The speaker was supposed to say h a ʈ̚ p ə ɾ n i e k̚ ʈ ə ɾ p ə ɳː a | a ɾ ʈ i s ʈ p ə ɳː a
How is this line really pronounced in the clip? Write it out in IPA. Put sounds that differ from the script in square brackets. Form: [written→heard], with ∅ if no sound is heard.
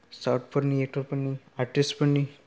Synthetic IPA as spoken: [h→s] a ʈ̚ p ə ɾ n i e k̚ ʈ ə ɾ p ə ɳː [a→i] | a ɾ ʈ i s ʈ p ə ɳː [a→i]